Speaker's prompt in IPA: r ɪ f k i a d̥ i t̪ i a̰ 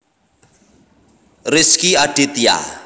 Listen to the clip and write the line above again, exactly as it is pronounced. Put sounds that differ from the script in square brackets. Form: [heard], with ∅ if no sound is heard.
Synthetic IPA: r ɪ [s] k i a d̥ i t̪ [j] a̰